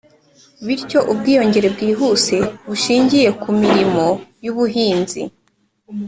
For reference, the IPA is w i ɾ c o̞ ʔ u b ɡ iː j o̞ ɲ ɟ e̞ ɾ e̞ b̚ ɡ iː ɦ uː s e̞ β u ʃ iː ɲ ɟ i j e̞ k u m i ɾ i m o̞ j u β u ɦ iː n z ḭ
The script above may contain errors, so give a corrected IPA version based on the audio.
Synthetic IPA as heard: β i ɾ c o̞ ʔ u b ɡ iː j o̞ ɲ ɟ e̞ ɾ e̞ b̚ ɡ iː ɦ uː s e̞ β u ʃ iː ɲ ɟ i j e̞ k u m i ɾ i m o̞ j u β u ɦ iː n z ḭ